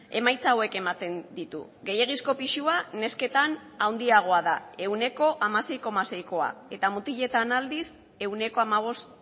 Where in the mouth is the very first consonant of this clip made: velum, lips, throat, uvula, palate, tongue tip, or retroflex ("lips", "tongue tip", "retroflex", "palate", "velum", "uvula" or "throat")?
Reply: lips